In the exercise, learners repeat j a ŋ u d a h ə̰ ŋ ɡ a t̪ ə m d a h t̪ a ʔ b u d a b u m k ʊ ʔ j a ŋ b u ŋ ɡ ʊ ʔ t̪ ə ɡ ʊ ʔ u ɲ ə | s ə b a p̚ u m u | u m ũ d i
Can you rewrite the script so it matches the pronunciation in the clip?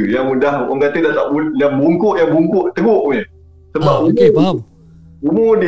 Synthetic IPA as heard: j a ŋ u d a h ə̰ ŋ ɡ a t̪ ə d a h t̪ a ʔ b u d a b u ŋ k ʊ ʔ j a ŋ b u ŋ k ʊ ʔ t̪ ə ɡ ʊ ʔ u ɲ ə | s ə b a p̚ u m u | u m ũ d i